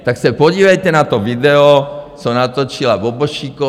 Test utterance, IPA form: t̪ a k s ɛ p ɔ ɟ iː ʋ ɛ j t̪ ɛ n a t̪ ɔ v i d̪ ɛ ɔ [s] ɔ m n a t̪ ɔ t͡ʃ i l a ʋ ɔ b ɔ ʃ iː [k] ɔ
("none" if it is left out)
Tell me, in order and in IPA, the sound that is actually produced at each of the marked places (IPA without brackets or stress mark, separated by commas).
s, k